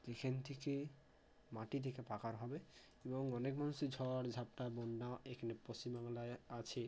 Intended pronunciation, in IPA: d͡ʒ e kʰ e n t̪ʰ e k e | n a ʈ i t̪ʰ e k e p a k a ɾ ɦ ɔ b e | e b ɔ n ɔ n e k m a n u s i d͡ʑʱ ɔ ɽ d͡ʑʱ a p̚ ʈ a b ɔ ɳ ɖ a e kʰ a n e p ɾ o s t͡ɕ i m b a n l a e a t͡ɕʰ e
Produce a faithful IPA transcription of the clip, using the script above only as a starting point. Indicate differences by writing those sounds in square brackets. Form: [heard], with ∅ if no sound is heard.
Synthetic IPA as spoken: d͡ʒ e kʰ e n t̪ʰ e k e | [m] a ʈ i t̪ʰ e k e p a k a ɾ ɦ ɔ b e | e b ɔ [ŋ] ɔ n e k m a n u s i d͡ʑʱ ɔ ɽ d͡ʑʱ a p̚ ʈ a b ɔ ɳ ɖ a e kʰ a n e p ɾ o s t͡ɕ i m b a [ŋ] l a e a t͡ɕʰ e